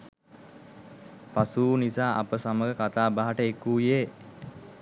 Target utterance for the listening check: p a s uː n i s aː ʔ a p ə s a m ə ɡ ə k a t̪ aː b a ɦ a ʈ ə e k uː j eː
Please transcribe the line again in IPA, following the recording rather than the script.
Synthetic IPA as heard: p a s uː n i s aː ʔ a p ə s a m ə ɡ ə k a t̪ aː b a ɦ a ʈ ə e k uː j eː